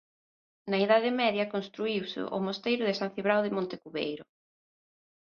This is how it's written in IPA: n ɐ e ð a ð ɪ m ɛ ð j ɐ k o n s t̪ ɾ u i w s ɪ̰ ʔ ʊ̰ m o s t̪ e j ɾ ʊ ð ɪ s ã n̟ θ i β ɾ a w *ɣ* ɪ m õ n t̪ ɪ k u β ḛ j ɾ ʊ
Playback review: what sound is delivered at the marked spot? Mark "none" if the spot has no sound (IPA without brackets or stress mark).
ð